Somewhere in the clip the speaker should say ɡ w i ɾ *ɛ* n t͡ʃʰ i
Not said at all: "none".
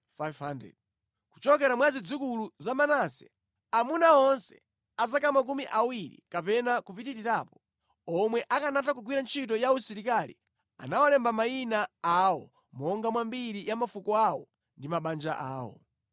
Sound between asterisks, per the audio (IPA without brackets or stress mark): a